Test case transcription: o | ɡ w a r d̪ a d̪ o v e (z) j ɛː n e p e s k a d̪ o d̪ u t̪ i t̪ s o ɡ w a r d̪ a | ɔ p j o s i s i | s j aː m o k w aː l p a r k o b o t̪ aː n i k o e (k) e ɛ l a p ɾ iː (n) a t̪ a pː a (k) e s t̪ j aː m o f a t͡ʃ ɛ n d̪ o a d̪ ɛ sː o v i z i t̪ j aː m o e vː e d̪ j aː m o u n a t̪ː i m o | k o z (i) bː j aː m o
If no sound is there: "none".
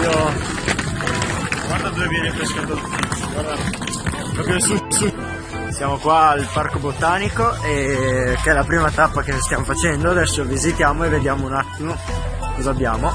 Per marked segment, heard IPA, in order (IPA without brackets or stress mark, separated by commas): v, k, m, k, a